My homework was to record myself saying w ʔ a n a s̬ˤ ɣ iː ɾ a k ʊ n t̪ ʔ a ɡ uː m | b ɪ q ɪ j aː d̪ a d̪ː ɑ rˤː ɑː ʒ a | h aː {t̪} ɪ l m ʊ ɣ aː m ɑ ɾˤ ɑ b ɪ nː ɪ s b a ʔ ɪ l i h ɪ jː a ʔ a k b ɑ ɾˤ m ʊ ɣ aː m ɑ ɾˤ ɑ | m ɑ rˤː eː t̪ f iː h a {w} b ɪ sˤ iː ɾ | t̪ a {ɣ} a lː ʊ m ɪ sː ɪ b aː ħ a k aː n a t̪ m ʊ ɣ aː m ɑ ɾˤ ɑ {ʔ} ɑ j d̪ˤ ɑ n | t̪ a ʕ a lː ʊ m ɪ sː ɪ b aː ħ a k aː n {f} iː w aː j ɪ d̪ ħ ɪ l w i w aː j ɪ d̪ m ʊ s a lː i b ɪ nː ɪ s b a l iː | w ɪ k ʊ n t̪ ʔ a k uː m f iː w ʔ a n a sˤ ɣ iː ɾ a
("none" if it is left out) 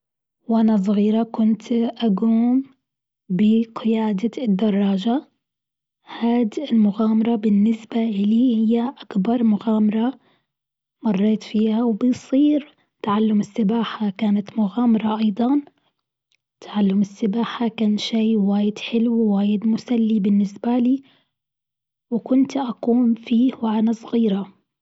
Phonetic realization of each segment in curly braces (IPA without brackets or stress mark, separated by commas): d̪, w, ʕ, ʔ, ʃ